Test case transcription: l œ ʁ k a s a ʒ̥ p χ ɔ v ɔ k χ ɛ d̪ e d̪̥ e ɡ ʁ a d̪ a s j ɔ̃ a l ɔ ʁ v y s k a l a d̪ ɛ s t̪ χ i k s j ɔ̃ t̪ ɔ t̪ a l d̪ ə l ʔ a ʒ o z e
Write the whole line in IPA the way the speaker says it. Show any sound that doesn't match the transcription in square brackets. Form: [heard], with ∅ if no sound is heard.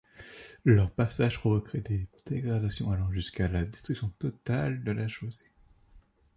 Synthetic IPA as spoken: l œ ʁ [p] a s a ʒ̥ p χ ɔ v ɔ k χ ɛ d̪ e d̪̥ e ɡ ʁ a d̪ a s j ɔ̃ a l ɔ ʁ [ʒ] y s k a l a d̪ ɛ s t̪ χ [y] k s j ɔ̃ t̪ ɔ t̪ a l d̪ ə l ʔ a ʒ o z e